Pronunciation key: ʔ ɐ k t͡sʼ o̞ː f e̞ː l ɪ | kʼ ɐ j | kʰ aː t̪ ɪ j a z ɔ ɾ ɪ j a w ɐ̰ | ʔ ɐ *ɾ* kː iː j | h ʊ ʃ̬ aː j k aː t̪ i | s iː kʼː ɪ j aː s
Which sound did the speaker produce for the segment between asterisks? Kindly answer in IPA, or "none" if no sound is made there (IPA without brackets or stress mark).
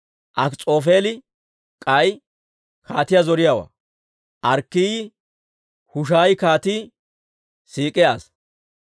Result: ɾ